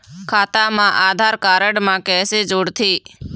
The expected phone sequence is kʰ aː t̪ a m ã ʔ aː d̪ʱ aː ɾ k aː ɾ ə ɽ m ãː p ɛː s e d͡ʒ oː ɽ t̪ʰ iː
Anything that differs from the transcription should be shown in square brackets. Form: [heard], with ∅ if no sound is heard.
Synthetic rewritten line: kʰ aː t̪ a m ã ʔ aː d̪ʱ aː ɾ k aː ɾ ə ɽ m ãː [k] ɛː s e d͡ʒ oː ɽ t̪ʰ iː